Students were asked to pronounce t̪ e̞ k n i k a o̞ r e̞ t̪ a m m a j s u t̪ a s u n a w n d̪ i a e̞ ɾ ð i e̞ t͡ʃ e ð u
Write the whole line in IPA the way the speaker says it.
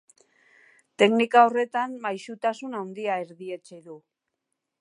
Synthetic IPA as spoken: t̪ e̞ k n i k a o̞ r e̞ t̪ a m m a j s u t̪ a s u n a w n d̪ i a e̞ ɾ ð i e̞ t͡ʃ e ð u